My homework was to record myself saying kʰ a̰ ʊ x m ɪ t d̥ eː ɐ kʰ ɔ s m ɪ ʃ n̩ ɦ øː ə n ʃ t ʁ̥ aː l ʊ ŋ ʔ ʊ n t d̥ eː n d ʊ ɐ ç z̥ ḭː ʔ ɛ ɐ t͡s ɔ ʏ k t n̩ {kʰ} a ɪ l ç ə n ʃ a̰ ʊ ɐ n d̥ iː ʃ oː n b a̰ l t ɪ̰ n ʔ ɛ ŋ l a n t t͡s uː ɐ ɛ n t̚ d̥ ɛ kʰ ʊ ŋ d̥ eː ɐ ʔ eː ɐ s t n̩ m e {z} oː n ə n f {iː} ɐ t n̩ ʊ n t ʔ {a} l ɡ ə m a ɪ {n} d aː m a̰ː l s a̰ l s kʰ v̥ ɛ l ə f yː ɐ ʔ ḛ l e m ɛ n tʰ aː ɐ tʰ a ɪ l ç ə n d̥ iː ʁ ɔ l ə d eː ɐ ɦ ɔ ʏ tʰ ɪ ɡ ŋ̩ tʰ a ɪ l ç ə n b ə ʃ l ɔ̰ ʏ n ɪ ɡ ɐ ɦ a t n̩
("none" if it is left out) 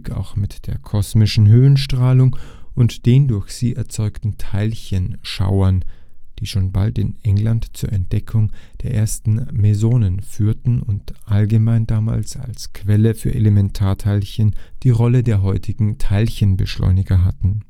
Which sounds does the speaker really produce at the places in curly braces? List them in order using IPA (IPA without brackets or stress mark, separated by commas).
tʰ, z, yː, a, n